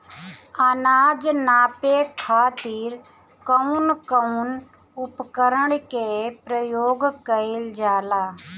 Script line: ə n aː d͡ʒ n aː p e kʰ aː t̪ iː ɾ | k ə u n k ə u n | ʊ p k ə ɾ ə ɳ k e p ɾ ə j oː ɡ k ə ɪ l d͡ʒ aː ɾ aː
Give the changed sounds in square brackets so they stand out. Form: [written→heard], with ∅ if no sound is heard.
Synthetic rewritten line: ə n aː d͡ʒ n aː p e kʰ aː t̪ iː ɾ | k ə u n k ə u n | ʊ p k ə ɾ ə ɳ k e p ɾ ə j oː ɡ k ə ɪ l d͡ʒ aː [ɾ→l] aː